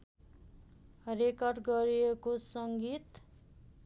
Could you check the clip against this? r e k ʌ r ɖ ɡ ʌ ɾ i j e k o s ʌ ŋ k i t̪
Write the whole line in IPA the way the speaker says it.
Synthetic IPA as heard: r e k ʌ r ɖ ɡ ʌ ɾ i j e k o s ʌ ŋ ɡ i t̪